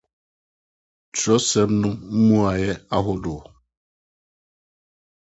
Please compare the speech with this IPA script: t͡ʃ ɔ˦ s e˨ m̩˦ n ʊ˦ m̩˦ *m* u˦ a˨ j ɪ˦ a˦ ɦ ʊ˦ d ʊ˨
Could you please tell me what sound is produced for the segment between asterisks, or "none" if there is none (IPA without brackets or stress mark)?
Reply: m